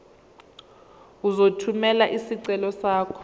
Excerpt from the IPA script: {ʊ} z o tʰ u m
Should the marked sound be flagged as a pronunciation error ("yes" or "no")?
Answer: yes